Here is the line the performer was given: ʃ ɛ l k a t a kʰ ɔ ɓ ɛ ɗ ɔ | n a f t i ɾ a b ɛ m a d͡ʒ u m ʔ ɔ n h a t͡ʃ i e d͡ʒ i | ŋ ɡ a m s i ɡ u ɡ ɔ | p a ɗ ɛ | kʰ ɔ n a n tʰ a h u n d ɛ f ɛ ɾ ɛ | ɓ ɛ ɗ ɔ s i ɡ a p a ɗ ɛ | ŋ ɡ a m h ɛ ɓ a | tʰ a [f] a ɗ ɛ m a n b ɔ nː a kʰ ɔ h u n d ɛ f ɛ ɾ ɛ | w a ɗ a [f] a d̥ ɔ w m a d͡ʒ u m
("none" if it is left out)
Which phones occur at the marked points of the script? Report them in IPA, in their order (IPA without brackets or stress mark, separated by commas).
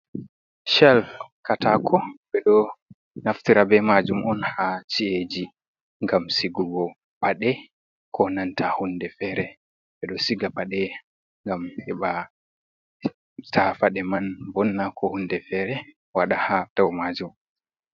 f, h